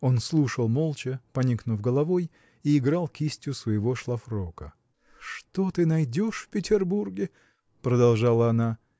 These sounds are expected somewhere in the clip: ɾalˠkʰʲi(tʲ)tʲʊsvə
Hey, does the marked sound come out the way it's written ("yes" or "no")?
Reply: no